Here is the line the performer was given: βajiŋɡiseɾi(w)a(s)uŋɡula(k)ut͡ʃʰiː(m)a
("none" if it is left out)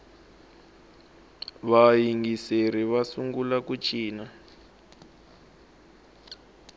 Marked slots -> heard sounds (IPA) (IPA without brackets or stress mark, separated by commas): β, s, k, n